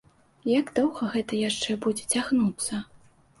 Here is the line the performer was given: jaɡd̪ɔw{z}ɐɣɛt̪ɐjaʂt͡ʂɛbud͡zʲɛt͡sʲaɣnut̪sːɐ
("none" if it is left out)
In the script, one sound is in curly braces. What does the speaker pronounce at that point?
ɣ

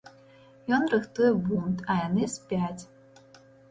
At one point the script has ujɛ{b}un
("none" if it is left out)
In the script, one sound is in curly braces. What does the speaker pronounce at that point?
b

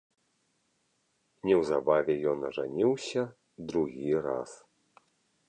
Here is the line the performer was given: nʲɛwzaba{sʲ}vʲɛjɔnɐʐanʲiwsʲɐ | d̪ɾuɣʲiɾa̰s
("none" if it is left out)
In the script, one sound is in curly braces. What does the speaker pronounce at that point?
none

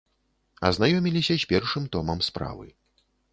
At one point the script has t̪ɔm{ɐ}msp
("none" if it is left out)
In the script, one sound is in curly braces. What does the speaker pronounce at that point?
ɐ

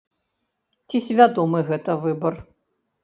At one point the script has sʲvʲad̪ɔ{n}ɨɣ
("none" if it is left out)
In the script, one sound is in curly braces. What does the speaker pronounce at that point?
m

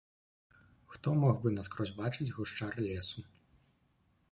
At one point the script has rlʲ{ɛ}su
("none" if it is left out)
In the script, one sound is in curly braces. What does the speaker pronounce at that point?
ɛ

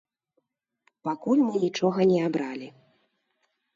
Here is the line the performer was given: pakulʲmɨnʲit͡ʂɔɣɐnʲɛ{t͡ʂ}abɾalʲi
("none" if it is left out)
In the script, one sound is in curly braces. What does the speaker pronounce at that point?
none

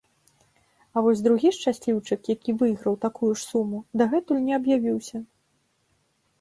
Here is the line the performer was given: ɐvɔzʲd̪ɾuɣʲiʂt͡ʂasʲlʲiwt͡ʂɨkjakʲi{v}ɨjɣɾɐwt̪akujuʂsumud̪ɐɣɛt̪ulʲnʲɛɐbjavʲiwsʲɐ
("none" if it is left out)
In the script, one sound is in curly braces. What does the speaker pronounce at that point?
v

